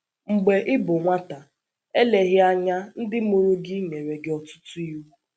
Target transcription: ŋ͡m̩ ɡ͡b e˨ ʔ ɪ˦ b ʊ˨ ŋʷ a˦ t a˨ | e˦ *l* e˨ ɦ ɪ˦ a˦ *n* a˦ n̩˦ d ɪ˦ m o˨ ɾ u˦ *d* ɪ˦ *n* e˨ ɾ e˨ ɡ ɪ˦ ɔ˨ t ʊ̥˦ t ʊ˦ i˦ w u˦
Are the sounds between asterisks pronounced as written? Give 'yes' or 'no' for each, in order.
yes, no, no, no

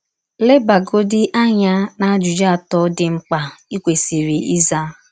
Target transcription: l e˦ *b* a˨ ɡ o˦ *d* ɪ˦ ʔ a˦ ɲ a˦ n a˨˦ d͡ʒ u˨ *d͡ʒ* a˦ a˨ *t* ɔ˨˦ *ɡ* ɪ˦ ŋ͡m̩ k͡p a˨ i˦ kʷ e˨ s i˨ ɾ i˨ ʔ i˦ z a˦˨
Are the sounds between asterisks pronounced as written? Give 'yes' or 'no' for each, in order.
yes, yes, yes, yes, no

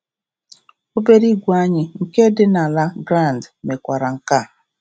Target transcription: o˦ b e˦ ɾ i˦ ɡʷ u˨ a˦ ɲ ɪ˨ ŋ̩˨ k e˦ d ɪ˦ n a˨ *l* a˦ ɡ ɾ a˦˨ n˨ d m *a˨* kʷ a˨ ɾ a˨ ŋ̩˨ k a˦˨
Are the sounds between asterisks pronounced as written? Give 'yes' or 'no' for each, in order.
yes, no

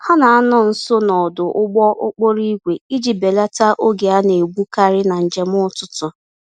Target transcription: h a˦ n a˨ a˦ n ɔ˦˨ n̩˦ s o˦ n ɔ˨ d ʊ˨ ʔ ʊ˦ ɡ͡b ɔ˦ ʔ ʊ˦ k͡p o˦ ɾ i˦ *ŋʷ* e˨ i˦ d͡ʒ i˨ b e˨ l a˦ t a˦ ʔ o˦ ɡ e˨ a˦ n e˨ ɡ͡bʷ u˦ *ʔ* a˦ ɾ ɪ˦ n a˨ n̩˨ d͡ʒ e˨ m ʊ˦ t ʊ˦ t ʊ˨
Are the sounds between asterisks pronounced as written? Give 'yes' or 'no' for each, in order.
no, no

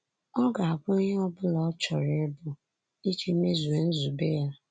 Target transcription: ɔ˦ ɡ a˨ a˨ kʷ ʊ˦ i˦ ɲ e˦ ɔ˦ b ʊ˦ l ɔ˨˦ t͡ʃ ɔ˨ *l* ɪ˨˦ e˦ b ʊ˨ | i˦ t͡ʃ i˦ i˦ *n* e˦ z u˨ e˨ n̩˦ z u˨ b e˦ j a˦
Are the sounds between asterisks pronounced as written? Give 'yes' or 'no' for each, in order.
no, no

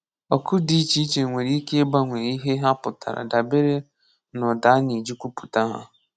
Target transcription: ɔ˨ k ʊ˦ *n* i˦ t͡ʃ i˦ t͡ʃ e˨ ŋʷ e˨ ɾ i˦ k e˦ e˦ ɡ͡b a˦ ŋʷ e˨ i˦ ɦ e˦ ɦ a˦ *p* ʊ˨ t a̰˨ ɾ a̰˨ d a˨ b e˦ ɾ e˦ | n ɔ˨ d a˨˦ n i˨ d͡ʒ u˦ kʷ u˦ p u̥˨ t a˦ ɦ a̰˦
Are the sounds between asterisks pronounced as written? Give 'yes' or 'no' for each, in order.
no, yes

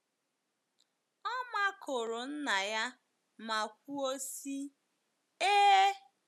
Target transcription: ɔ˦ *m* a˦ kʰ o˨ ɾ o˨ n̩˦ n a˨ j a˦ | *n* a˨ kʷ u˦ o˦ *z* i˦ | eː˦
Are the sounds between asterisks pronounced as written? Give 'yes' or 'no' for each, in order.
yes, no, no

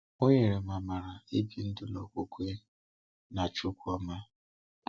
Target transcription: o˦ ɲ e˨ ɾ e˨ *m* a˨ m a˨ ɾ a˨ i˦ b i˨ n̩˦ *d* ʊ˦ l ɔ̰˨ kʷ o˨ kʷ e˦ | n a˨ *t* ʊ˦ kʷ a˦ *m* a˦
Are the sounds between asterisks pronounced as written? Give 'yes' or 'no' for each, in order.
yes, yes, no, yes

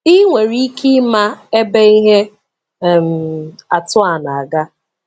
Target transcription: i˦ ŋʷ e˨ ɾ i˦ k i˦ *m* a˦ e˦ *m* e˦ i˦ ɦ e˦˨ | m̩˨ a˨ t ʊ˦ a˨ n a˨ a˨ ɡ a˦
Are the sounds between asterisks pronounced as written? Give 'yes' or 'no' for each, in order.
yes, no

